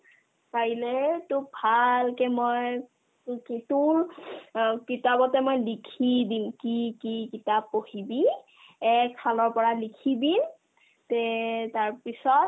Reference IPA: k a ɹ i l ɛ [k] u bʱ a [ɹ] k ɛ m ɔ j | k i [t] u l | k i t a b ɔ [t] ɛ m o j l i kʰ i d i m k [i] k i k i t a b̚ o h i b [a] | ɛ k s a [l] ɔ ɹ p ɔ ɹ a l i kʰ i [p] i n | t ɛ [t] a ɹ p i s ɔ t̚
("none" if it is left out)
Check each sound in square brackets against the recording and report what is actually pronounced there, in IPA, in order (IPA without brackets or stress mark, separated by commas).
t, l, t, t, i, i, l, b, t